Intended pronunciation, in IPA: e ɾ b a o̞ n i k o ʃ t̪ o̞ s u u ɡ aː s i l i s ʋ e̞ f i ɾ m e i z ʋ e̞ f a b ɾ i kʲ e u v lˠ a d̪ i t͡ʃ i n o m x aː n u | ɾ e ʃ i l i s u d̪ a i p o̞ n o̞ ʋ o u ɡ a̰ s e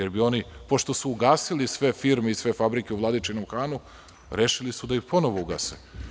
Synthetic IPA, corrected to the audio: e ɾ b i o̞ n i p o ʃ t̪ o̞ s u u ɡ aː s i l i s ʋ e̞ f i ɾ m e i s ʋ e̞ f a b ɾ i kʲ e u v lˠ a d̪ i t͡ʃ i n o m x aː n u | ɾ e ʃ i l i s u d̪ a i p o̞ n o̞ ʋ o u ɡ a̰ s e